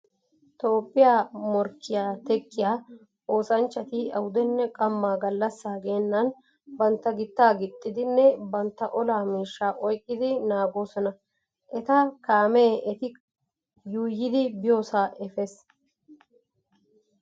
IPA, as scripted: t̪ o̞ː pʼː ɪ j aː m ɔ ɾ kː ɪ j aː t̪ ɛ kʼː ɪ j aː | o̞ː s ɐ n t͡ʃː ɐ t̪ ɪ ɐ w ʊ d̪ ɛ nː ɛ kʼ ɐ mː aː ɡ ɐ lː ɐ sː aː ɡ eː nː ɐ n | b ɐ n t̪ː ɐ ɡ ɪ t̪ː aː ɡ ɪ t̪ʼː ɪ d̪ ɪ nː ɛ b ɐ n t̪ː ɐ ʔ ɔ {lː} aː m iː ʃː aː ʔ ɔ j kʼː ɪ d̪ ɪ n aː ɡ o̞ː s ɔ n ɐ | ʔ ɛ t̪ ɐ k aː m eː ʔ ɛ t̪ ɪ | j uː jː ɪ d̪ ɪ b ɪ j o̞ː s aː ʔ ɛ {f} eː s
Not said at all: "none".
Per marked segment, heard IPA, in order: l, f

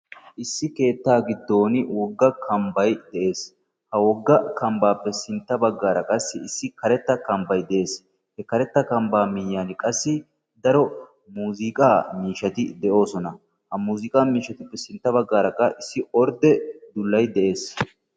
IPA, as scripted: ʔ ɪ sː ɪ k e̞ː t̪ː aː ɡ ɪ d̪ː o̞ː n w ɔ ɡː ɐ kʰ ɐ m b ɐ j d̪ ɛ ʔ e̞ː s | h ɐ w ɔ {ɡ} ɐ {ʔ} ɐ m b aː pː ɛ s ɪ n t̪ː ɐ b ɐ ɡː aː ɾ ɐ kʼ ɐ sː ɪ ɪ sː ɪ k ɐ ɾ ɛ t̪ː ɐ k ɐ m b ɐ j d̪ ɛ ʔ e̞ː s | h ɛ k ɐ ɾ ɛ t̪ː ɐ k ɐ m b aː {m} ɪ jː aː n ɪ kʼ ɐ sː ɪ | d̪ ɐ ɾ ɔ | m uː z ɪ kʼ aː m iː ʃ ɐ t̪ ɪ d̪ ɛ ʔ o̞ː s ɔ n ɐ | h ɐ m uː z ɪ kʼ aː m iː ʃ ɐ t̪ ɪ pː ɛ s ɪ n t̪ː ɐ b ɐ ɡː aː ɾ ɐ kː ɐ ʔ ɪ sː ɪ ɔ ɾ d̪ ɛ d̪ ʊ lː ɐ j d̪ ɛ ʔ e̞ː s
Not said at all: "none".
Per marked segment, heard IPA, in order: ɡː, k, m

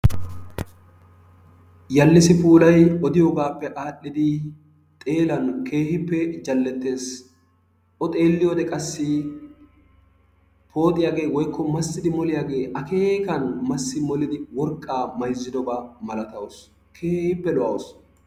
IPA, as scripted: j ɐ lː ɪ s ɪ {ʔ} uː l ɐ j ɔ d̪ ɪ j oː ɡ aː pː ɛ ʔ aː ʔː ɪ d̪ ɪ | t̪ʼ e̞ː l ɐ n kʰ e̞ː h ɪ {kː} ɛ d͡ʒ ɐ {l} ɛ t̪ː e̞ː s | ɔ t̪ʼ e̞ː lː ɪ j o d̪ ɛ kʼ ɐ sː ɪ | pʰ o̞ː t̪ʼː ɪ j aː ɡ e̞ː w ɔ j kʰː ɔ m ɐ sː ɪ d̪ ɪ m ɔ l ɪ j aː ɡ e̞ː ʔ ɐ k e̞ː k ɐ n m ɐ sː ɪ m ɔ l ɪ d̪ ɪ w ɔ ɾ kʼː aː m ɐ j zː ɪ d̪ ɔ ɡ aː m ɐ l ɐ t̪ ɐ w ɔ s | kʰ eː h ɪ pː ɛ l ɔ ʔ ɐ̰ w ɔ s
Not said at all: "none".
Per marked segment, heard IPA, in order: p, pː, lː

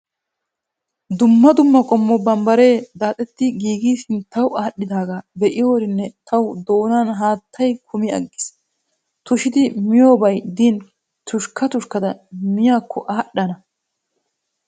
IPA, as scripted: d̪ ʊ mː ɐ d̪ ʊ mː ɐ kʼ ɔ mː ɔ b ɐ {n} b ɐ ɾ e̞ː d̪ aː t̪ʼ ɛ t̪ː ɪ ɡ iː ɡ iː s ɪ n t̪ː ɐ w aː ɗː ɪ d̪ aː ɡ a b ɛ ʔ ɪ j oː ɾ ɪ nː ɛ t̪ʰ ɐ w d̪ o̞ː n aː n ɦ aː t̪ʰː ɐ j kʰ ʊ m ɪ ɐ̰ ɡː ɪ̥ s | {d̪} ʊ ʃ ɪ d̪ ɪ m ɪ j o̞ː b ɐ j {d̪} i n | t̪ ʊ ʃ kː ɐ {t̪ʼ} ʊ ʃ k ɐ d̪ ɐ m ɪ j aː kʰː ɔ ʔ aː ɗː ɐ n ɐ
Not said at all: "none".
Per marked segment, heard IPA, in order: m, t̪, d̪, t̪

